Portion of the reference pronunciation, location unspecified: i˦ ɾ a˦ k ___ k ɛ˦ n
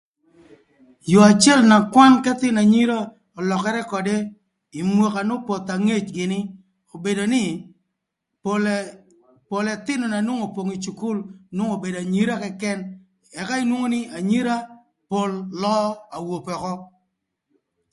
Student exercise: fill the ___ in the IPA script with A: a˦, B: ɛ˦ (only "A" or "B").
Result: B